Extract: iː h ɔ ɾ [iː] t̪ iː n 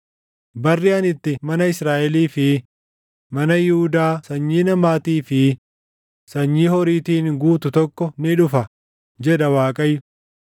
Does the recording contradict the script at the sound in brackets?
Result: no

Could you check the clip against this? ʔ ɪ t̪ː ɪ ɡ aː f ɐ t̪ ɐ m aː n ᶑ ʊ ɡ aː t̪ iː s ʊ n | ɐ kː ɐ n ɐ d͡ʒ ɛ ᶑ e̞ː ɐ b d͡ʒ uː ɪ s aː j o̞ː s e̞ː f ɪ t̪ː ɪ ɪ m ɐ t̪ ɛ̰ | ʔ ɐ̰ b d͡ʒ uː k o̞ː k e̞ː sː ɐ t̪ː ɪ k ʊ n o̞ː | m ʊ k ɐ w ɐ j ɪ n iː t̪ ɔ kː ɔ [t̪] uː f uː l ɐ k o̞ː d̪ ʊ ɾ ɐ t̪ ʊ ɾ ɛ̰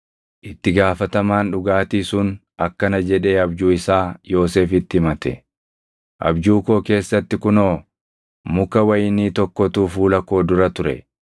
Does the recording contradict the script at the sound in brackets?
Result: no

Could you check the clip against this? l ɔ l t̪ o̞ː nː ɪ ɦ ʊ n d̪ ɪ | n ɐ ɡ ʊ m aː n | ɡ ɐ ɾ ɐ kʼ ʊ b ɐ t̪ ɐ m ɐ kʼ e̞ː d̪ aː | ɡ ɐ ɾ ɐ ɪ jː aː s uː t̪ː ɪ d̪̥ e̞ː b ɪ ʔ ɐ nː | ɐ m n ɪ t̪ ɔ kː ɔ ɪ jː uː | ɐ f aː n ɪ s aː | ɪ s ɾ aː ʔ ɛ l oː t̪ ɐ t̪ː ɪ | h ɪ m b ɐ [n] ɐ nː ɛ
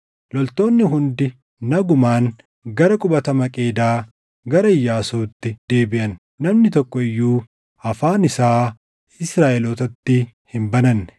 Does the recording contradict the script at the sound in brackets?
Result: no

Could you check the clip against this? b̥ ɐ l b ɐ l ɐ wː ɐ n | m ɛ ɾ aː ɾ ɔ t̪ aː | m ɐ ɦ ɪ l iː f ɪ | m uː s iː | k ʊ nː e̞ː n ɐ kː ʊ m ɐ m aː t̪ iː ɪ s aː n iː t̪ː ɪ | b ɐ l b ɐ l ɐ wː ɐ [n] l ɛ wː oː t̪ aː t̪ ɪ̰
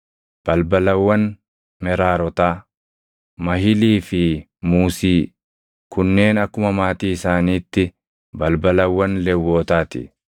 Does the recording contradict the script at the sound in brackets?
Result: no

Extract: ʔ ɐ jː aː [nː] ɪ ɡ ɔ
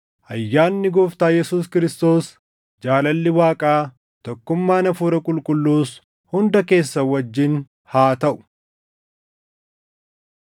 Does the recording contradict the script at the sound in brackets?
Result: no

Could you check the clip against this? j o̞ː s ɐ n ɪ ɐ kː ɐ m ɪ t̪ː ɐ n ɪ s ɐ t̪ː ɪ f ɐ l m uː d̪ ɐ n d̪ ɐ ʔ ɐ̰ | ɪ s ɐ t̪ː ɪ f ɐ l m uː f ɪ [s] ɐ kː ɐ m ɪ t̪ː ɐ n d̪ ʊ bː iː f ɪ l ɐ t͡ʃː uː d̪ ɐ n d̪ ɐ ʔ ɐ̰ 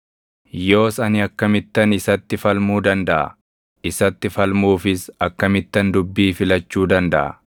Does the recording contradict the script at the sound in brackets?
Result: no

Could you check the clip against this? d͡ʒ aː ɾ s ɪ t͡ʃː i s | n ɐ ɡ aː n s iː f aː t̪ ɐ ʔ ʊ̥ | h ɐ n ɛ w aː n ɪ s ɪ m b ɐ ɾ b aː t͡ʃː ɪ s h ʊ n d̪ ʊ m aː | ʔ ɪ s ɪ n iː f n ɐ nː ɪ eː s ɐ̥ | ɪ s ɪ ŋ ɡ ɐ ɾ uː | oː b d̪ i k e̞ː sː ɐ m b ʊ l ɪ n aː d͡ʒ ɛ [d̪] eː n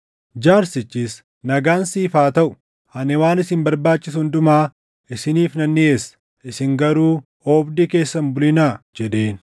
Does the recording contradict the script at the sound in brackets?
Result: no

